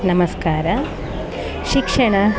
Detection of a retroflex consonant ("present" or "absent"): present